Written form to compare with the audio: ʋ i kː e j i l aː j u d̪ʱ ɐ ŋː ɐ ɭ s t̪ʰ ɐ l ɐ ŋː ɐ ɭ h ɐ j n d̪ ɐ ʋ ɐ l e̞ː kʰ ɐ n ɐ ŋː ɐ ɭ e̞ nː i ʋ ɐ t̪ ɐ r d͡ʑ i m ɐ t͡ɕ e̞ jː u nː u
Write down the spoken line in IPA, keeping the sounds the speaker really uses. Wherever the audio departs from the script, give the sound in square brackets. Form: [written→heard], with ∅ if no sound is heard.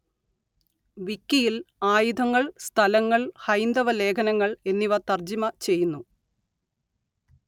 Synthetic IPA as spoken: ʋ i kː [e→i] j i l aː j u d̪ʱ ɐ ŋː ɐ ɭ s t̪ʰ ɐ l ɐ ŋː ɐ ɭ h ɐ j n d̪ ɐ ʋ ɐ l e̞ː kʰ ɐ n ɐ ŋː ɐ ɭ e̞ nː i ʋ ɐ t̪ ɐ r d͡ʑ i m ɐ t͡ɕ e̞ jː u nː u